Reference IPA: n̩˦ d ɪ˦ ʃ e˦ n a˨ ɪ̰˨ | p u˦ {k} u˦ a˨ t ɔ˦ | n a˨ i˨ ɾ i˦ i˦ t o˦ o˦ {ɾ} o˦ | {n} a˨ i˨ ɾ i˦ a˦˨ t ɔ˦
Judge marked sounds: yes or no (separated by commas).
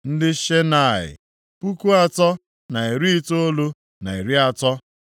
yes, no, yes